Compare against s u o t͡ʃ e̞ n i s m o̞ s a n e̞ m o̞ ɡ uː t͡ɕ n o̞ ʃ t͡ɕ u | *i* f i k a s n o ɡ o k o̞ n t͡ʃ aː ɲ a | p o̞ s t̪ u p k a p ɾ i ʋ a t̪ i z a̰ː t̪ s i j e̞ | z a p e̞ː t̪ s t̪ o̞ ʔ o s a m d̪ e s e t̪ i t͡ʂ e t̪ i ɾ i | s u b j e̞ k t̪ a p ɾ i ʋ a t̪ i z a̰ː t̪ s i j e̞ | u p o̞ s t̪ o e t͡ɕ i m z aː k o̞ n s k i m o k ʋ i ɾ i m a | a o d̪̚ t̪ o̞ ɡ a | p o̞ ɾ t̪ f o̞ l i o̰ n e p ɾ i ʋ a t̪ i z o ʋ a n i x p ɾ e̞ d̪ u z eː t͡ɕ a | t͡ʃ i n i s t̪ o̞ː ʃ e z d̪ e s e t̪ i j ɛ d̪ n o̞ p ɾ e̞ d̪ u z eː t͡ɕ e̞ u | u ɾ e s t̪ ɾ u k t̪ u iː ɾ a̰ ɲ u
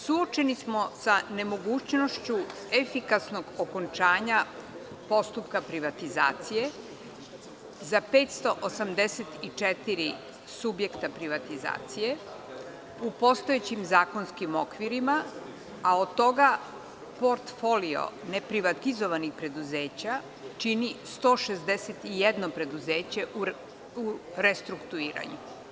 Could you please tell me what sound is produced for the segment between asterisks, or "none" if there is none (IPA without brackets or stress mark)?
e